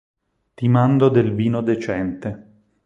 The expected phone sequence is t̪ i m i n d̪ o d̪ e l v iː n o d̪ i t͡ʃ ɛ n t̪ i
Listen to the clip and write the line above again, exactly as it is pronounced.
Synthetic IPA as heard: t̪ i m a n d̪ o d̪ e l v iː n o d̪ e t͡ʃ ɛ n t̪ e